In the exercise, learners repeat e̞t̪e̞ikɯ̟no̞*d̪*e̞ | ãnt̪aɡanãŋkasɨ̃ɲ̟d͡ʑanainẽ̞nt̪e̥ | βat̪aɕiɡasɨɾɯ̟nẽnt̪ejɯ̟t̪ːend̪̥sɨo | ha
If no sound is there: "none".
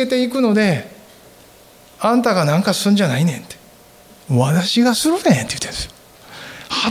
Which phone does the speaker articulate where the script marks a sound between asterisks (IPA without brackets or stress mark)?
d̪